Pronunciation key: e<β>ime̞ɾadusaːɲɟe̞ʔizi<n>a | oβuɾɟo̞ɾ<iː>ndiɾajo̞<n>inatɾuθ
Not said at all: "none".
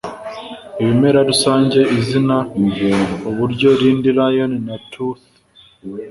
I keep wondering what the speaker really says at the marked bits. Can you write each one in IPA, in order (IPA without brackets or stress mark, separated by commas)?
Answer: β, n, iː, n